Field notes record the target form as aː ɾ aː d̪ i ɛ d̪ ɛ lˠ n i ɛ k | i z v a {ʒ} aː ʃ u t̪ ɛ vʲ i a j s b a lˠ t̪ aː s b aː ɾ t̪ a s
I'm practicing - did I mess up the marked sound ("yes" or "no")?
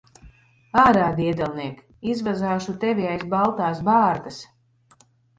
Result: yes